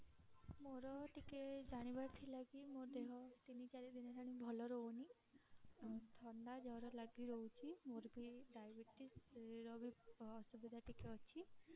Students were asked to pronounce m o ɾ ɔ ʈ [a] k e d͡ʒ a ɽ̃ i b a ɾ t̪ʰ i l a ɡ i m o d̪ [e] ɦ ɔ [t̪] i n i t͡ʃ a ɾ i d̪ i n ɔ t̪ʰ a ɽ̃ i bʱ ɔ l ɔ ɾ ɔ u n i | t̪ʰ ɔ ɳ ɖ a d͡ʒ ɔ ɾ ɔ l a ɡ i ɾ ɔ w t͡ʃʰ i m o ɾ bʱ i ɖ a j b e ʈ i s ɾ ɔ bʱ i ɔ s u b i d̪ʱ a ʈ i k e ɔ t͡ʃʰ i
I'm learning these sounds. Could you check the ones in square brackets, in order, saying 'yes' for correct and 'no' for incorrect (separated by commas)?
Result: no, yes, yes